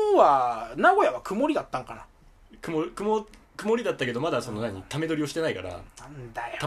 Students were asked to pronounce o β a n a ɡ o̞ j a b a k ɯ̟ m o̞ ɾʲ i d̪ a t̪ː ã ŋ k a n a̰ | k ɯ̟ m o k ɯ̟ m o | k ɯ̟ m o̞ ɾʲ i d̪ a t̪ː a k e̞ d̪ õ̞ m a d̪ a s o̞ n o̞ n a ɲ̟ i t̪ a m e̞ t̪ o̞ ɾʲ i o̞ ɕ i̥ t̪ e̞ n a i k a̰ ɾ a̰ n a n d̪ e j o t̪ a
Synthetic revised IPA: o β a n a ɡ o̞ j a β a k ɯ̟ m o̞ ɾʲ i d̪ a t̪ː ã ŋ k a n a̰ | k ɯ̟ m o k ɯ̟ m o | k ɯ̟ m o̞ ɾʲ i d̪ a t̪ː a k e̞ d̪ o̞ m a d̪ a s o̞ n o̞ n a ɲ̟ i t̪ a m e̞ d̪ o̞ ɾʲ i o̞ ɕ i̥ t̪ e̞ n a i k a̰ ɾ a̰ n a n d̪ a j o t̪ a